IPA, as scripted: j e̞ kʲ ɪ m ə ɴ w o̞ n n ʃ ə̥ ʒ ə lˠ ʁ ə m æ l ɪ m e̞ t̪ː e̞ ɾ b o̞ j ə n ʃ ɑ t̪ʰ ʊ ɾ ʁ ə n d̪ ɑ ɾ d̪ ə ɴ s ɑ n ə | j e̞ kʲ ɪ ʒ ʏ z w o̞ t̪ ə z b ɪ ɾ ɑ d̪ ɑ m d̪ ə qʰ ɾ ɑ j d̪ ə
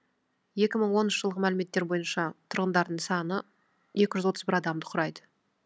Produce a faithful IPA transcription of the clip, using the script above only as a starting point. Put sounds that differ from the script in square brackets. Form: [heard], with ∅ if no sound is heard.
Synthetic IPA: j e̞ kʲ ɪ m ə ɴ w o̞ n n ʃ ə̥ ʒ ə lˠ ʁ ə m æ l ɪ m e̞ t̪ː e̞ ɾ b o̞ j ə n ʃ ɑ t̪ʰ ʊ ɾ ʁ ə n d̪ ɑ ɾ d̪ ə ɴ s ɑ n ə | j e̞ kʲ ɪ ʒ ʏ z w o̞ t̪ ə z b ɪ ɾ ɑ d̪ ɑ m d̪ ə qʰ ɾ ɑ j d̪ ə